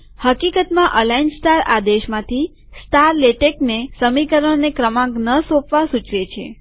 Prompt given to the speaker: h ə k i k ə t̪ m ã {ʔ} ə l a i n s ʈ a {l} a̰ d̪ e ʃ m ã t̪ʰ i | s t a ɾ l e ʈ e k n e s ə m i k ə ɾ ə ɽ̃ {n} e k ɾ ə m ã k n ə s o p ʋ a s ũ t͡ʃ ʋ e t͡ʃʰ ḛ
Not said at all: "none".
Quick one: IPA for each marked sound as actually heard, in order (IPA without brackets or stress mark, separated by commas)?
ʔ, ɾ, n